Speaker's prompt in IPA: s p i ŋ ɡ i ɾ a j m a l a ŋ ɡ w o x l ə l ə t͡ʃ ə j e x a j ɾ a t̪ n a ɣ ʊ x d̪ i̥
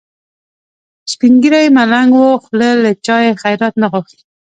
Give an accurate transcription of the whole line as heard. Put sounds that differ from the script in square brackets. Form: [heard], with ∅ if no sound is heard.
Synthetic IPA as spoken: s p i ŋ ɡ i ɾ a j m a l a ŋ ɡ w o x l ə l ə t͡ʃ [ɑ] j e x a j ɾ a t̪ n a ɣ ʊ x [t̪] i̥